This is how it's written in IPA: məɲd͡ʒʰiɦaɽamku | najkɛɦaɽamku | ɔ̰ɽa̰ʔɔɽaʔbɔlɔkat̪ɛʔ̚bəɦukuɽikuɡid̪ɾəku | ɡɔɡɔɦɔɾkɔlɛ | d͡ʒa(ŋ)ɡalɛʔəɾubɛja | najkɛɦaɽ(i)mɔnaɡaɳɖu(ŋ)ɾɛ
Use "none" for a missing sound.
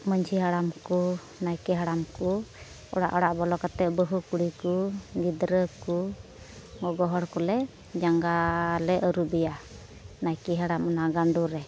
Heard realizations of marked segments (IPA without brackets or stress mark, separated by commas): ŋ, a, none